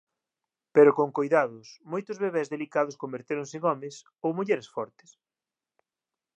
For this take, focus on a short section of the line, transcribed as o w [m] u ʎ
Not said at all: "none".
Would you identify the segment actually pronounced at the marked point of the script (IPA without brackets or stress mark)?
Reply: m